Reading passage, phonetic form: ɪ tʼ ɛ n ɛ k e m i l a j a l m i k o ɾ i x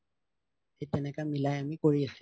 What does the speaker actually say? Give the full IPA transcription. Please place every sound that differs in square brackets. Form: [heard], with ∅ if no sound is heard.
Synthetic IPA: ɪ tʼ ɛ n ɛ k [a] m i l a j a [∅] m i k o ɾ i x